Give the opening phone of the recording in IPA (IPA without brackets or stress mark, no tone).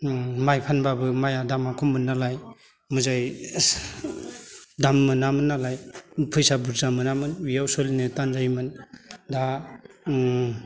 m